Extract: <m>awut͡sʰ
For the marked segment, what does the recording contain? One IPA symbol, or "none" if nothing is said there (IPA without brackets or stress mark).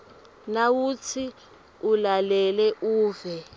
n